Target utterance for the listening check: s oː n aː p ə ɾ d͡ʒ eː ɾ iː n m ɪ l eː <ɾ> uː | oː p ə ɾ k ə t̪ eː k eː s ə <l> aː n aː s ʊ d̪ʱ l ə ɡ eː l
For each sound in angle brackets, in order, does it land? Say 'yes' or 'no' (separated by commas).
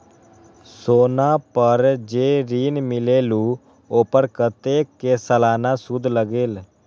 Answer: no, yes